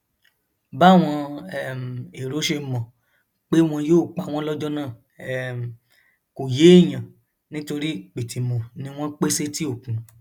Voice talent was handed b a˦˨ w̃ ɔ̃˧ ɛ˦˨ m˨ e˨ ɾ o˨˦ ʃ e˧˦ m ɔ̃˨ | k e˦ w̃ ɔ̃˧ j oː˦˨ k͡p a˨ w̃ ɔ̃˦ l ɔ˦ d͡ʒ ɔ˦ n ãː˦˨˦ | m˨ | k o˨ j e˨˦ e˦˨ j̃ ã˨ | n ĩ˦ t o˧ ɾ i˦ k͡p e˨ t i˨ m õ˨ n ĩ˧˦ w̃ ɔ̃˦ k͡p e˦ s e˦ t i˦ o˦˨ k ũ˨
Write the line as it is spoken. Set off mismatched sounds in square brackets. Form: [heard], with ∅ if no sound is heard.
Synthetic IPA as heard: b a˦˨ w̃ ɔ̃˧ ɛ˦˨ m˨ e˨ ɾ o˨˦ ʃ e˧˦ m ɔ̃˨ | [k͡p] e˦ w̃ ɔ̃˧ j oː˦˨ k͡p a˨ w̃ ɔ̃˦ l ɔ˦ d͡ʒ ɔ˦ n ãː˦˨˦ | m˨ | k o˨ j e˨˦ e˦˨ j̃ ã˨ | n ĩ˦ t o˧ ɾ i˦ k͡p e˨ t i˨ m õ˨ n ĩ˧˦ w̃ ɔ̃˦ k͡p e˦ s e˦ t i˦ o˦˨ k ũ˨